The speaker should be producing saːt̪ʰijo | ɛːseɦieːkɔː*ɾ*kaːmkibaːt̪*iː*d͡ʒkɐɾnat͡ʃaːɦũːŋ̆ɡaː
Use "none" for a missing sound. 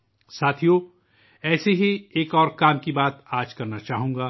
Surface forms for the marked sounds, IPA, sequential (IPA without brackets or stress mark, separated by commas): ɾ, aː